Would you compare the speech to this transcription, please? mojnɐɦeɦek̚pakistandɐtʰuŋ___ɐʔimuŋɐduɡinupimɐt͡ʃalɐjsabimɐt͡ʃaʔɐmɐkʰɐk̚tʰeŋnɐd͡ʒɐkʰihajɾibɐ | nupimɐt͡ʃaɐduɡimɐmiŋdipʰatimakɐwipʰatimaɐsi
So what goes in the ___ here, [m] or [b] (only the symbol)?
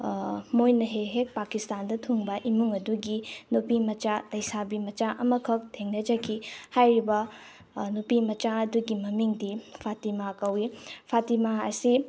b